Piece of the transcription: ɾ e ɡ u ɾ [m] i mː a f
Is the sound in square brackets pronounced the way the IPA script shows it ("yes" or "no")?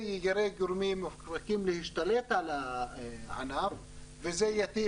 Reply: yes